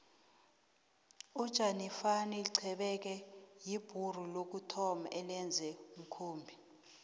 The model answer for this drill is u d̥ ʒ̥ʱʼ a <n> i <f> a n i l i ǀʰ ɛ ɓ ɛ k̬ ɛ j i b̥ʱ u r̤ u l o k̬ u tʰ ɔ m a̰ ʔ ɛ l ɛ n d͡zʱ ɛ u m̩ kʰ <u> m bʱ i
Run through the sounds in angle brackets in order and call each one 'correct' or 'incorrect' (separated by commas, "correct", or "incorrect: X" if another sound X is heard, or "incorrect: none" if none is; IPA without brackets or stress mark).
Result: correct, correct, incorrect: uː